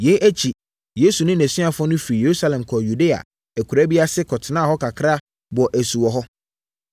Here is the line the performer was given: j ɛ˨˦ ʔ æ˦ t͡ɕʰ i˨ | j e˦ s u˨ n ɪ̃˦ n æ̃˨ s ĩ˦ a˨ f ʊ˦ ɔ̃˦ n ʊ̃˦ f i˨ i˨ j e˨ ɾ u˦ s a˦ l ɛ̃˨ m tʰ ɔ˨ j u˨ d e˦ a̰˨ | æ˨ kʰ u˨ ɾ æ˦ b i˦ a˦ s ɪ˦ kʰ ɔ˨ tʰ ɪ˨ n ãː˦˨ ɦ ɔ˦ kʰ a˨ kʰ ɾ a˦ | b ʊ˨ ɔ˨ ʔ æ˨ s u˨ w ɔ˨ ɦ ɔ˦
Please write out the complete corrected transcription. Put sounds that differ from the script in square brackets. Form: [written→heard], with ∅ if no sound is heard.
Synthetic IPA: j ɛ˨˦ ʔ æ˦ t͡ɕʰ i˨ | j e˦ s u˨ n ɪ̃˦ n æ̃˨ s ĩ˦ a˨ f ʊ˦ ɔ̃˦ n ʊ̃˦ f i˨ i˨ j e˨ ɾ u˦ s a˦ l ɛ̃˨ m [tʰ→kʰ] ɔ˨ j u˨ d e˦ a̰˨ | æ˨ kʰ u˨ ɾ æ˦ b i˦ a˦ s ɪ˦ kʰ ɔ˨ tʰ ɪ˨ n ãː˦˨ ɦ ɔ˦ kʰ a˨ kʰ ɾ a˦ | b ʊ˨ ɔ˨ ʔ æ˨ s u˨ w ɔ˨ ɦ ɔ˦